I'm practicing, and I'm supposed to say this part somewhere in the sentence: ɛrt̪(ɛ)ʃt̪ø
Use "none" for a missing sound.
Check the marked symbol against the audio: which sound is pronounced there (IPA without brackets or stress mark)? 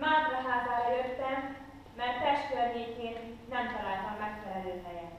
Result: ɛ